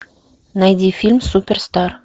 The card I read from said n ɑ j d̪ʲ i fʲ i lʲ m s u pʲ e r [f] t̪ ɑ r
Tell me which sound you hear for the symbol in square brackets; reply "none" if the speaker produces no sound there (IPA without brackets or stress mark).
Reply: s